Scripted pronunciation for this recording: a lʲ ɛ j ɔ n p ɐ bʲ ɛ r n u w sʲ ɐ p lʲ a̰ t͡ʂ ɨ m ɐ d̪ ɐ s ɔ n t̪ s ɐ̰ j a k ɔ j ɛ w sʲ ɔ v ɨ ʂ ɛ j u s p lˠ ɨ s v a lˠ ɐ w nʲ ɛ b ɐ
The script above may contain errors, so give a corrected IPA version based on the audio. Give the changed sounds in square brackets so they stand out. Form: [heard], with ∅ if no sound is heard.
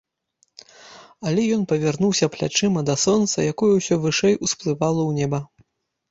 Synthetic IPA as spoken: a lʲ ɛ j ɔ n p ɐ [vʲ] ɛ r n u w sʲ ɐ p lʲ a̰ t͡ʂ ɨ m ɐ d̪ ɐ s ɔ n t̪ s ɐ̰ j a k ɔ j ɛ w sʲ ɔ v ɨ ʂ ɛ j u s p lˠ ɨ [∅] v a lˠ ɐ w nʲ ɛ b ɐ

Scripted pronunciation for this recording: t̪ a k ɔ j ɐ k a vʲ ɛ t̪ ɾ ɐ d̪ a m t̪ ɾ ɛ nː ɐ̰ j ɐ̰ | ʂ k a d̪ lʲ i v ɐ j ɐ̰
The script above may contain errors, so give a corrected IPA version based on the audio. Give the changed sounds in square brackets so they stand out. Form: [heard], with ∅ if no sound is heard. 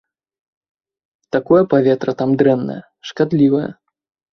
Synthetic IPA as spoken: t̪ a k ɔ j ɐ [p] a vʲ ɛ t̪ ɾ ɐ [t̪] a m [d̪] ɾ ɛ nː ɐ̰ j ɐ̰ | ʂ k a d̪ lʲ i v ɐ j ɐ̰

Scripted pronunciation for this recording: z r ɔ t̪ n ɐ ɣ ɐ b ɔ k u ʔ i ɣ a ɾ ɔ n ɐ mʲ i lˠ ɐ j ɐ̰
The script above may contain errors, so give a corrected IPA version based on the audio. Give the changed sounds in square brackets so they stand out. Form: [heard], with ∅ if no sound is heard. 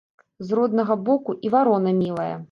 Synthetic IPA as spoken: z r ɔ [d̪] n ɐ ɣ ɐ b ɔ k u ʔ i [v] a ɾ ɔ n ɐ mʲ i lˠ ɐ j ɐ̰

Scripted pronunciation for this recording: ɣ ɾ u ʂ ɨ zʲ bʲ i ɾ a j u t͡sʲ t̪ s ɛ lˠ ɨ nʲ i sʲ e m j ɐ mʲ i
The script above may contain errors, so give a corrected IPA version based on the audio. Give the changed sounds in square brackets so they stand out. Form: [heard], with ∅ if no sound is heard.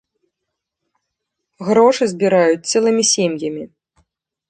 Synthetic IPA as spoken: ɣ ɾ [ɔ] ʂ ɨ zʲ bʲ i ɾ a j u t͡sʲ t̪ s ɛ lˠ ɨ [mʲ] i sʲ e m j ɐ mʲ i

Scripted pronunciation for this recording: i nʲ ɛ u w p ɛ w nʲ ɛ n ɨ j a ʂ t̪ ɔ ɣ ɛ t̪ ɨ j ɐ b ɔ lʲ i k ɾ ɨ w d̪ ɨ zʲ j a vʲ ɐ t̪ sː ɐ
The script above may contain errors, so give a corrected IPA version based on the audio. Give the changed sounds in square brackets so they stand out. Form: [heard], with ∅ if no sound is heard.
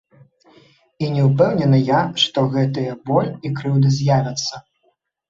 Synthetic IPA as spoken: i nʲ ɛ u w p ɛ w nʲ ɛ n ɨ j a ʂ t̪ ɔ ɣ ɛ t̪ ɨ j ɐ b ɔ lʲ i k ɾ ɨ w d̪ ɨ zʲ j a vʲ ɐ t̪ sː ɐ

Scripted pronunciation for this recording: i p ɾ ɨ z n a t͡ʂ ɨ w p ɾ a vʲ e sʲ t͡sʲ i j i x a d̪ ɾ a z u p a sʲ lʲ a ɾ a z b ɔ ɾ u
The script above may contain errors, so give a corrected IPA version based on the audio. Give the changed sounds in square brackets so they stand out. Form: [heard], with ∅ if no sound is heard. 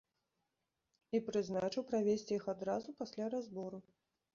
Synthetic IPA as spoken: i p ɾ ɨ z n a t͡ʂ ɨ w p ɾ a vʲ e sʲ t͡sʲ i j i x a d̪ ɾ a z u p a sʲ lʲ a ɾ a z b ɔ ɾ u

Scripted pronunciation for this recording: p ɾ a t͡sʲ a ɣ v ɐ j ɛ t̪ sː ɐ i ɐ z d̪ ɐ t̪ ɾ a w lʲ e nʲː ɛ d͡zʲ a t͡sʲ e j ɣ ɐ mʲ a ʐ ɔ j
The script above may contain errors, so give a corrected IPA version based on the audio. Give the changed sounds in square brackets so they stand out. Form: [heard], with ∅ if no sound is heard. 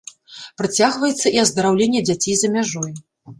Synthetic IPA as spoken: p ɾ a t͡sʲ a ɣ v ɐ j ɛ t̪ sː ɐ i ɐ z d̪ ɐ [∅] ɾ a w lʲ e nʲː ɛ d͡zʲ a t͡sʲ e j [z] ɐ mʲ a ʐ ɔ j

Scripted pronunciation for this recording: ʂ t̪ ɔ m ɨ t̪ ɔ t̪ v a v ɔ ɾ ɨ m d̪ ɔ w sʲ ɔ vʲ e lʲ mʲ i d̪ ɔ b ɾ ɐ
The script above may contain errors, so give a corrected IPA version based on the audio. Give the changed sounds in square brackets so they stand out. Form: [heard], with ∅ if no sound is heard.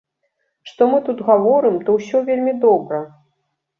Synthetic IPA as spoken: ʂ t̪ ɔ m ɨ t̪ [u] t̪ [ɣ] a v ɔ ɾ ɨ m [t̪] ɔ w sʲ ɔ vʲ e lʲ mʲ i d̪ ɔ b ɾ ɐ

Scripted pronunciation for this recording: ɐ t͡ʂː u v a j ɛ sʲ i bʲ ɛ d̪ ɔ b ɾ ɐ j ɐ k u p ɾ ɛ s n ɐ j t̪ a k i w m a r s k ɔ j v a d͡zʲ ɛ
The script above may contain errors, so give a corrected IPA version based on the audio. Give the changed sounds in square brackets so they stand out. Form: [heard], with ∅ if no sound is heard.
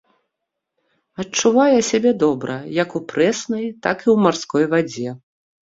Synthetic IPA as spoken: ɐ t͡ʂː u v a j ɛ sʲ [a] bʲ ɛ d̪ ɔ b ɾ ɐ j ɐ k u p ɾ ɛ s n ɐ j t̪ a k i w m a r s k ɔ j v a d͡zʲ ɛ

